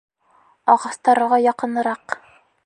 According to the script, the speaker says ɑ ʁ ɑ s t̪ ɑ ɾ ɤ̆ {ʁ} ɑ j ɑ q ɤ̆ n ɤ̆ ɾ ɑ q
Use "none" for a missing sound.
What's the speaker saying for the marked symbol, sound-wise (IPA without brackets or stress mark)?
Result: ʁ